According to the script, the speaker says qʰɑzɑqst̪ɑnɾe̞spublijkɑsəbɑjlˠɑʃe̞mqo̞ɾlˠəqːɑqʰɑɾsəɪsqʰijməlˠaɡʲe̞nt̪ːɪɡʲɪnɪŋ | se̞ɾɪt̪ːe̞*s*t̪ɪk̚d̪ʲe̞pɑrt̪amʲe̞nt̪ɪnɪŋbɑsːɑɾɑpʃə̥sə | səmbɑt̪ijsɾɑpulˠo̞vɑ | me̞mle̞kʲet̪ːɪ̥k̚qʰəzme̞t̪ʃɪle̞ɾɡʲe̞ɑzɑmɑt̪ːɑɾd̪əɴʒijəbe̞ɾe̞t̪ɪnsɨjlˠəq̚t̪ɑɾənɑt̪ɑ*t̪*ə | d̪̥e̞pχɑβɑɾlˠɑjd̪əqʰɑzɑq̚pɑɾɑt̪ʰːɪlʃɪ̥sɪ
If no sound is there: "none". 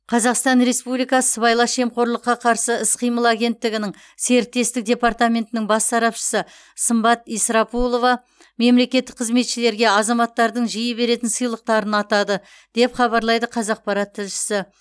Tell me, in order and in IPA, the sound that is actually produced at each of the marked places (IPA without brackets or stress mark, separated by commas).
s, d̪